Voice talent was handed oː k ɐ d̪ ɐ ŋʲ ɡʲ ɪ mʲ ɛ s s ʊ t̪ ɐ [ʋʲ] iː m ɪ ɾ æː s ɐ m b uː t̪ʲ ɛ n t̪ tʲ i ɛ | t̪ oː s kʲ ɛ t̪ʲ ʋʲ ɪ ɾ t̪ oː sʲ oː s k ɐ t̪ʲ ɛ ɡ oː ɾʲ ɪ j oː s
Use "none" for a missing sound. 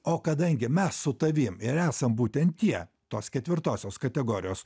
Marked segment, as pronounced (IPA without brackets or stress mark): ʋʲ